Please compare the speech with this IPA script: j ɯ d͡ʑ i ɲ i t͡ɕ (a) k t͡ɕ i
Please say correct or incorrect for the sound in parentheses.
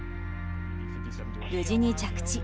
correct